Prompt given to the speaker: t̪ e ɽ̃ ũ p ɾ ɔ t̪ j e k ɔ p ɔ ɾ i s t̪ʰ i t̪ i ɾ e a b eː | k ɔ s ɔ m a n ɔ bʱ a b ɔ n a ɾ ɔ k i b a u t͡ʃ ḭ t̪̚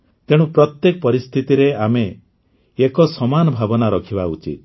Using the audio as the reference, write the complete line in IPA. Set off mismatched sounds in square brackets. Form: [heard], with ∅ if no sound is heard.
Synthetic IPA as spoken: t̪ e ɽ̃ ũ p ɾ ɔ t̪ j e k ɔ p ɔ ɾ i s t̪ʰ i t̪ i ɾ e a [m] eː | k ɔ s ɔ m a n ɔ bʱ a b ɔ n a ɾ ɔ [kʰ] i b a u t͡ʃ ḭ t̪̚